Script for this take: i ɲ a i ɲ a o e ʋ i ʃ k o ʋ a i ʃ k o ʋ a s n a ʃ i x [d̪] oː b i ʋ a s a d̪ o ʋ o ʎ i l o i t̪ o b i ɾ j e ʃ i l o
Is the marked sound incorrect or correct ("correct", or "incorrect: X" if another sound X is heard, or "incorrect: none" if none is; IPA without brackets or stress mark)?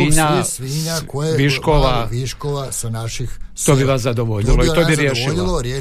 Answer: incorrect: t̪